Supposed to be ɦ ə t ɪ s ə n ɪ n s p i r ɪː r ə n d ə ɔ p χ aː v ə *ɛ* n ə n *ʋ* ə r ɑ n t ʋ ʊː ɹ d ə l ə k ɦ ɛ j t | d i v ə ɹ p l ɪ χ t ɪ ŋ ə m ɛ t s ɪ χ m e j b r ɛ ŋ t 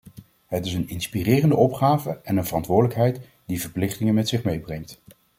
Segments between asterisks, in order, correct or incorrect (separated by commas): correct, incorrect